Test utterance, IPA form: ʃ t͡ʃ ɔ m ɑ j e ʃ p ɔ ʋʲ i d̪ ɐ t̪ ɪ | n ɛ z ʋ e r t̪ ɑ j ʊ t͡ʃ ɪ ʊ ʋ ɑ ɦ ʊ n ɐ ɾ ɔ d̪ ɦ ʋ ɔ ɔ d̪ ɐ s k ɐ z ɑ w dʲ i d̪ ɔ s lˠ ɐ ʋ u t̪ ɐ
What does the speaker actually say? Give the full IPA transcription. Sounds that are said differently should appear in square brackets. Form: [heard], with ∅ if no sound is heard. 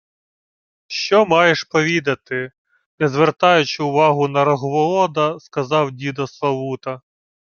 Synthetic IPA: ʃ t͡ʃ ɔ m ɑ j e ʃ p ɔ ʋʲ i d̪ ɐ t̪ ɪ | n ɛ z ʋ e r t̪ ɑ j ʊ t͡ʃ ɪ ʊ ʋ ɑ ɦ ʊ n ɐ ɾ ɔ [∅] ɦ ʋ ɔ ɔ d̪ ɐ s k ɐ z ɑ w dʲ i d̪ ɔ s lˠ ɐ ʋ u t̪ ɐ